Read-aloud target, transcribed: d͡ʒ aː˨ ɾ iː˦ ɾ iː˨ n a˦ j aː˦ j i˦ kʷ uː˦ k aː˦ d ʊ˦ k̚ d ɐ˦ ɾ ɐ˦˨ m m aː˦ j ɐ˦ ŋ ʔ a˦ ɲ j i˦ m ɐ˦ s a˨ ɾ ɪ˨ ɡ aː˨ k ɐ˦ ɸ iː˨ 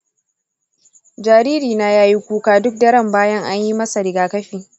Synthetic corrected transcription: d͡ʒ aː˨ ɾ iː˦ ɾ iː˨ n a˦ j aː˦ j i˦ kʷ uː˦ k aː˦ d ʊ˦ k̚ d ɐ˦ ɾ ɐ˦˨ m b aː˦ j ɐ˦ ŋ ʔ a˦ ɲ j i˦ m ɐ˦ s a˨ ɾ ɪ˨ ɡ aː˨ k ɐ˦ ɸ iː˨